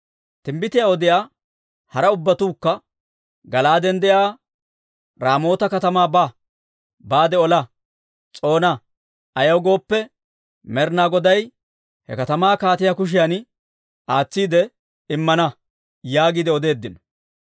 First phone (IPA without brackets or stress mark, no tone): t̪